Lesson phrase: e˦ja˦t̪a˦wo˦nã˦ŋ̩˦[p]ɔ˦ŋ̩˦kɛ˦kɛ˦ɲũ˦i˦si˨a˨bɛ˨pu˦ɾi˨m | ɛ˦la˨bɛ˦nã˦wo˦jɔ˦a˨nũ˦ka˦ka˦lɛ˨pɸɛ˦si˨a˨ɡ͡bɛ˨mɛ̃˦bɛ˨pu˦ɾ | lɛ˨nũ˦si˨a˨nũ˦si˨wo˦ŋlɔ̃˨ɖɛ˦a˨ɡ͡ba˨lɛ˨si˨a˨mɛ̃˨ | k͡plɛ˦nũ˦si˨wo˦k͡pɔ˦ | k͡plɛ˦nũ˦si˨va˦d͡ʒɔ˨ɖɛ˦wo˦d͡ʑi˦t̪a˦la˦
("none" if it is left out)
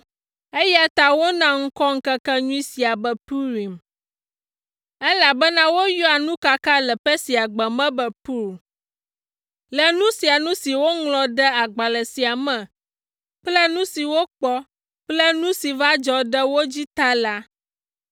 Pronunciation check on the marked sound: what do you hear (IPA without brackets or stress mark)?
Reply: k